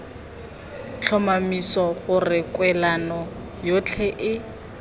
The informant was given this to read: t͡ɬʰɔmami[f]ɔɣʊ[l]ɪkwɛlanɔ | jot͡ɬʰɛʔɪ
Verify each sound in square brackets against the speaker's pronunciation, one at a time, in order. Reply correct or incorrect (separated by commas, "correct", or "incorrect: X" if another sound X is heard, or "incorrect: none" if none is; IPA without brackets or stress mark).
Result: incorrect: s, incorrect: r